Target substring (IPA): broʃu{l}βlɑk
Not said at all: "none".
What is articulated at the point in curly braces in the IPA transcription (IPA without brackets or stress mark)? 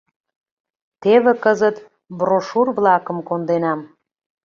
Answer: r